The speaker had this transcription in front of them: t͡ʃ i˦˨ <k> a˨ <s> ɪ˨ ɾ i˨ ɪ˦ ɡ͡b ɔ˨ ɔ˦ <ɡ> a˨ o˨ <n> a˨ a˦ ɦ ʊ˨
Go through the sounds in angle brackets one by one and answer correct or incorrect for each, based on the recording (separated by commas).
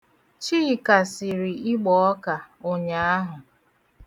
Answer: correct, correct, incorrect, incorrect